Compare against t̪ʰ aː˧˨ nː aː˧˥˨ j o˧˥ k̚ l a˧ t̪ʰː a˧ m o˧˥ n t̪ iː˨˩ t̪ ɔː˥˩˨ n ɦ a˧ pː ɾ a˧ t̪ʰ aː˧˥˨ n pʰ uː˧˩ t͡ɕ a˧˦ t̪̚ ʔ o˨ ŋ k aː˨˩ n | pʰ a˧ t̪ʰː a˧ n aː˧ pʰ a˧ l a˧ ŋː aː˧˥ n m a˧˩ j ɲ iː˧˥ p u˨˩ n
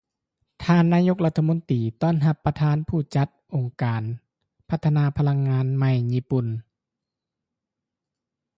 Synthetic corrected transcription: t̪ʰ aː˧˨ nː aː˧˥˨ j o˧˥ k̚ l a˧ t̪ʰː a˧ m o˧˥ n t̪ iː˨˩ t̪ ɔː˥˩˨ n ɦ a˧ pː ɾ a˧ t̪ʰ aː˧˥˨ n pʰ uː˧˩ t͡ɕ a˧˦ t̪̚ ʔ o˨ ŋ k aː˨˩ n | pʰ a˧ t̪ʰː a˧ n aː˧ pʰ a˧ l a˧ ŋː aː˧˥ n m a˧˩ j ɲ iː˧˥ p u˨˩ n